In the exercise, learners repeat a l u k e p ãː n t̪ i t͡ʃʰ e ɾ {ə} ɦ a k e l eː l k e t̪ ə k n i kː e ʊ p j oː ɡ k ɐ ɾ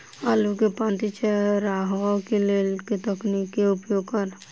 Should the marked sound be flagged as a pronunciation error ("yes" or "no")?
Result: yes